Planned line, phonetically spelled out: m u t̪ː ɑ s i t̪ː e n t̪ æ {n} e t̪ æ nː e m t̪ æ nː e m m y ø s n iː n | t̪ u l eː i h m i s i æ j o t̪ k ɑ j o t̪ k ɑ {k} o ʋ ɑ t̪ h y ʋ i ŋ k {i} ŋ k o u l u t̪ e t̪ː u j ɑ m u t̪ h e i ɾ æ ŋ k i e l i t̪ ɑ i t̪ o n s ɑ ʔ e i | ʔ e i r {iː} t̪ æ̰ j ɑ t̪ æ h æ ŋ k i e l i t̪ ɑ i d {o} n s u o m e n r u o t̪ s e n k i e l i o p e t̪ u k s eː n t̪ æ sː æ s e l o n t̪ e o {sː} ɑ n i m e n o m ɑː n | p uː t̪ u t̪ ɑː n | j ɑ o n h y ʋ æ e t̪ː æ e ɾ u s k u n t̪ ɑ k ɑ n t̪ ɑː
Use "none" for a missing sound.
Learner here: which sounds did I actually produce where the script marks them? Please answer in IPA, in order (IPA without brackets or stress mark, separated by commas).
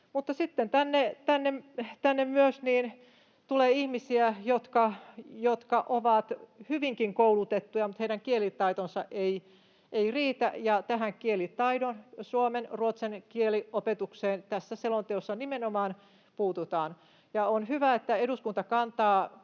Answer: nː, ʔ, i, iː, o, sː